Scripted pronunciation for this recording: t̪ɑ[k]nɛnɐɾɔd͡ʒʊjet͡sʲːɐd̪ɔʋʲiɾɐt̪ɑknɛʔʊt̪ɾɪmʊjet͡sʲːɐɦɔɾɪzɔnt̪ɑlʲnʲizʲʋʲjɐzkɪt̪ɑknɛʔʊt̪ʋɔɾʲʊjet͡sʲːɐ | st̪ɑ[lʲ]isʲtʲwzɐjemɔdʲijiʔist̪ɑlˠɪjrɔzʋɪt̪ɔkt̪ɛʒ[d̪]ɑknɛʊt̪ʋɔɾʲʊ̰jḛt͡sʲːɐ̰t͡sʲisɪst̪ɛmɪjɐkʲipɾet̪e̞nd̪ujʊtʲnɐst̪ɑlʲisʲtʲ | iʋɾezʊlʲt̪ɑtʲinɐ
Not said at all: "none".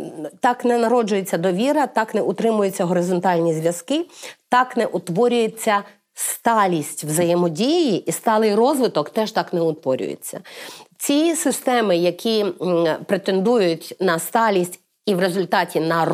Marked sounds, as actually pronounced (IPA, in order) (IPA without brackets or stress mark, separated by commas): k, lʲ, t̪